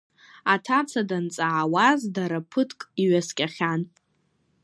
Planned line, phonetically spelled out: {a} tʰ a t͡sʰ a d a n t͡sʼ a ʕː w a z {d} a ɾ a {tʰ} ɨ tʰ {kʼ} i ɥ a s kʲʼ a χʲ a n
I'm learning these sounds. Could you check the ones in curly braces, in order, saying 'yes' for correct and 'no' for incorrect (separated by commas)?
yes, yes, no, yes